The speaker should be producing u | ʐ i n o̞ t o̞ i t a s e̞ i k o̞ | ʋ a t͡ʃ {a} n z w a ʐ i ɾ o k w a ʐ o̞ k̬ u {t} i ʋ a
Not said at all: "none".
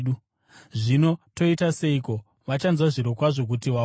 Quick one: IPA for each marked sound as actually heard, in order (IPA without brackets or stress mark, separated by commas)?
a, t